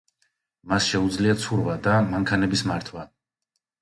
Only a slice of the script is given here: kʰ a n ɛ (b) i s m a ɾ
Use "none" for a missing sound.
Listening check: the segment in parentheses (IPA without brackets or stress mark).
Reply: b